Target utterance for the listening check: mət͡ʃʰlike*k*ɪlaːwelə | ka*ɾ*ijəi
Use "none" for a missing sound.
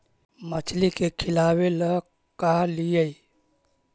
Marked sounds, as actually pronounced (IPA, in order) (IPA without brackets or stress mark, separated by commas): kʰ, l